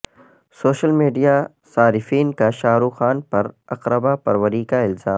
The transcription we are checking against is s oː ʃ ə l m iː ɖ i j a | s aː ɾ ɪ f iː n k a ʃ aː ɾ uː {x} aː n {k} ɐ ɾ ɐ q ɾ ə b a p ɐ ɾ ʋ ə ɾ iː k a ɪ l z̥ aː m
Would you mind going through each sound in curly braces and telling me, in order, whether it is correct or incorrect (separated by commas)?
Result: correct, incorrect